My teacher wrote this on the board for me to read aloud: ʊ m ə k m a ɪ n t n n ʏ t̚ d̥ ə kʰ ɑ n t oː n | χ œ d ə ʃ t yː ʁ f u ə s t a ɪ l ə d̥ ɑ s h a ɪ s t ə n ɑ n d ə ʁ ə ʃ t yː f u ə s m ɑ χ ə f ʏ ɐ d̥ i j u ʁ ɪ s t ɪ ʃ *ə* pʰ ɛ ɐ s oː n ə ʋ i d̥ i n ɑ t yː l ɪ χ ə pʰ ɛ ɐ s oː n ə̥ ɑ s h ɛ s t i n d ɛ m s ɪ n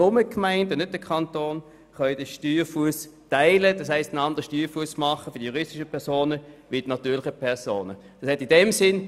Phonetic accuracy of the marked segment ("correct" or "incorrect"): correct